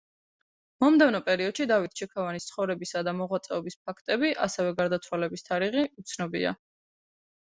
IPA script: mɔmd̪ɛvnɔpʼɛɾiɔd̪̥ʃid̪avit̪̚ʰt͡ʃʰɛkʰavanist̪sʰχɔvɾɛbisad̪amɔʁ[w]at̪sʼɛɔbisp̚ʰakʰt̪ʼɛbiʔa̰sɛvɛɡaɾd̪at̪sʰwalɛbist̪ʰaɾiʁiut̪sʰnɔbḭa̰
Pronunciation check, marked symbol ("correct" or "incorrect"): correct